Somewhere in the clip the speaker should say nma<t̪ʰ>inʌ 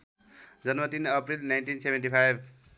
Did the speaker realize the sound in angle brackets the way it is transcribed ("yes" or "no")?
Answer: no